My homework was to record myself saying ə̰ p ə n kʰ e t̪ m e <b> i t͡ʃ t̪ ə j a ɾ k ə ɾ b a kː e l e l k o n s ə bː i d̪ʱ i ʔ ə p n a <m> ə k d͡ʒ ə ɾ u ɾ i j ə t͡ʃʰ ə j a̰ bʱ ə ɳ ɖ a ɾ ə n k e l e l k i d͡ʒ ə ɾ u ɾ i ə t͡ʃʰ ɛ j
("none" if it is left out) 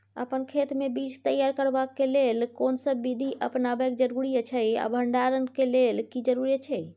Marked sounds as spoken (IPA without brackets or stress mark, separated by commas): b, b